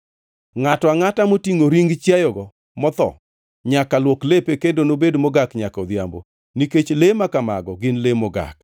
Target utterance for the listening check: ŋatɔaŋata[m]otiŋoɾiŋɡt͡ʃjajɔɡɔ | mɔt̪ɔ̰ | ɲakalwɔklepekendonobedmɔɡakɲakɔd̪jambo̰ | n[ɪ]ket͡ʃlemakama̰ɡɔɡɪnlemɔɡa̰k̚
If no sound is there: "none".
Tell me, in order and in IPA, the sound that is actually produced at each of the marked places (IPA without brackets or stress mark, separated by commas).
m, i